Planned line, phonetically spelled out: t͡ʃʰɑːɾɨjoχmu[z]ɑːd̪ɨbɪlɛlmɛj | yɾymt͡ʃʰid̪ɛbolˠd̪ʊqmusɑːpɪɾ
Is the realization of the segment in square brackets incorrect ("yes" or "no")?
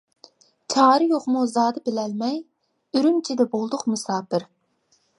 no